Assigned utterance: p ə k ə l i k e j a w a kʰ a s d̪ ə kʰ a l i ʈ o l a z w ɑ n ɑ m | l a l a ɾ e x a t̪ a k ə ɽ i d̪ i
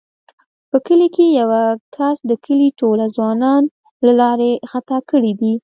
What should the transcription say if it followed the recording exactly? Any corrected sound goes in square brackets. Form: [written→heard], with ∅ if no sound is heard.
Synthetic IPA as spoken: p ə k ə l i k e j a w a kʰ a s d̪ ə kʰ [a→ə] l i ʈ o l a z w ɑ n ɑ [m→n] | l a l [a→ɑ] ɾ e x a t̪ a k ə ɽ i d̪ i